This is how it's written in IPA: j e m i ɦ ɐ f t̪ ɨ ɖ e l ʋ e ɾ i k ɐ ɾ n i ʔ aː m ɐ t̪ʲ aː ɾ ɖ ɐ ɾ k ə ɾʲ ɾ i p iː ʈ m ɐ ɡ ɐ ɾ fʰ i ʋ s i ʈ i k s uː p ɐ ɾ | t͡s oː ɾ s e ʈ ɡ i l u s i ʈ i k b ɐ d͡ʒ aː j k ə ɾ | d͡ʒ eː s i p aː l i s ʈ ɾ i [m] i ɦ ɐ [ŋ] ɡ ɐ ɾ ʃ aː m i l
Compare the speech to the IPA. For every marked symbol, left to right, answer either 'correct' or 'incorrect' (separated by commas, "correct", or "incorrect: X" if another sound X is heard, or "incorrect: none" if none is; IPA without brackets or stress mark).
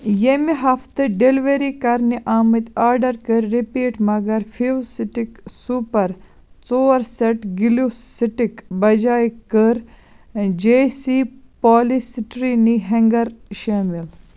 incorrect: n, correct